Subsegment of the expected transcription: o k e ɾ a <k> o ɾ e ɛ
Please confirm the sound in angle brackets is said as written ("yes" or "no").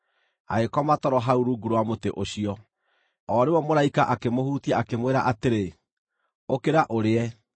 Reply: no